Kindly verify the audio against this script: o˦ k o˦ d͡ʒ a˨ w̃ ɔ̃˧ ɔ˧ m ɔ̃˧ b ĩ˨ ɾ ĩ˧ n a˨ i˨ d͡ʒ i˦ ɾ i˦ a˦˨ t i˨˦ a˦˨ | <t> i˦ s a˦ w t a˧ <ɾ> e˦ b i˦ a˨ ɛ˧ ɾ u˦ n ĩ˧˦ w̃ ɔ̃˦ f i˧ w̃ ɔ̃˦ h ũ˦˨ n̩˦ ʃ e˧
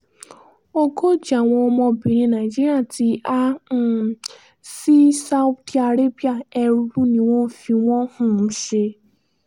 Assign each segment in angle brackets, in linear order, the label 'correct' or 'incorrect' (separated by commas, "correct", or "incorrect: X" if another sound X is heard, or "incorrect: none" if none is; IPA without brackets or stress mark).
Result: incorrect: s, correct